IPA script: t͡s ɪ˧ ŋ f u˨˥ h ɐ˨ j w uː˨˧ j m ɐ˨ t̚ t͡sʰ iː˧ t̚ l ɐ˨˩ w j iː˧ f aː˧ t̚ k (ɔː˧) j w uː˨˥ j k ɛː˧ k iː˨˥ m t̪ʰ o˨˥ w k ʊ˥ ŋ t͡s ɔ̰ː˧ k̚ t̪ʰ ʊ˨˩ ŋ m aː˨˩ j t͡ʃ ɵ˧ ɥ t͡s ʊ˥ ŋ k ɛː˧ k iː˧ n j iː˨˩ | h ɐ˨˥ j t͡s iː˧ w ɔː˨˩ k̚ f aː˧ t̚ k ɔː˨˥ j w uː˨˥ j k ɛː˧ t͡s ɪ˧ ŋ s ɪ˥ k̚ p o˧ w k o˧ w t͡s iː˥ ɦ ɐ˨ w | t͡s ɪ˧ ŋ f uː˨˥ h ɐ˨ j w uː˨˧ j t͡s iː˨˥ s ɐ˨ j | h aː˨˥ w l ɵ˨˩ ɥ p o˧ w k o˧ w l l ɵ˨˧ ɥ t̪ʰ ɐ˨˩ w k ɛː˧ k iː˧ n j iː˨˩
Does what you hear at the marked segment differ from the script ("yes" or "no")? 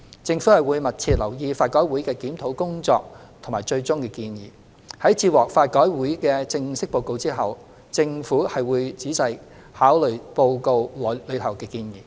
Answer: yes